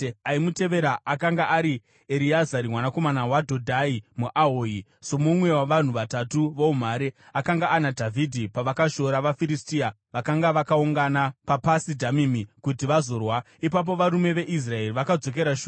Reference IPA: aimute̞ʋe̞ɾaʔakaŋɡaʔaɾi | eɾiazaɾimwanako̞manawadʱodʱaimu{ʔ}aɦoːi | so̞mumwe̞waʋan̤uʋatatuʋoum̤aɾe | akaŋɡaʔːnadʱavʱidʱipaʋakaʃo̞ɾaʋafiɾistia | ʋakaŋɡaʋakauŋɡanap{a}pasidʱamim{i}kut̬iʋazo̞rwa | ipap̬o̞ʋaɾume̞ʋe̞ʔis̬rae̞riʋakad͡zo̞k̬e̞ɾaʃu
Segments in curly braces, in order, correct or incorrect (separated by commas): correct, correct, correct